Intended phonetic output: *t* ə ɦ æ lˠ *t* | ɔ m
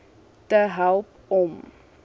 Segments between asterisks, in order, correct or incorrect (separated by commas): correct, incorrect